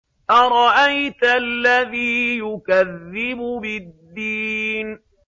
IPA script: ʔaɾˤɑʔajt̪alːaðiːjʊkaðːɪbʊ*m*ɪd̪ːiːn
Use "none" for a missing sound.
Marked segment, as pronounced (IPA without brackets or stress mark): b